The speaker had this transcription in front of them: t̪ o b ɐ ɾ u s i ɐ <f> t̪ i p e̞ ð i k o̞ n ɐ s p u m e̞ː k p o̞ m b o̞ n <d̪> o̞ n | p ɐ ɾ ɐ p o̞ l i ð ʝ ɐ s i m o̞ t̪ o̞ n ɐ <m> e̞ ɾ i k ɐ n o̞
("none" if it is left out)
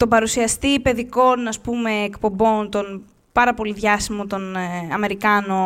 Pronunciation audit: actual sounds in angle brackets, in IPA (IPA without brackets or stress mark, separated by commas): s, t̪, m